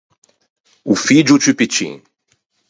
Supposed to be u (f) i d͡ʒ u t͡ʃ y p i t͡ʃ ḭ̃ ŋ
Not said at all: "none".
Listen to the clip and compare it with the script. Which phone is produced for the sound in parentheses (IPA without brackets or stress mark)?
f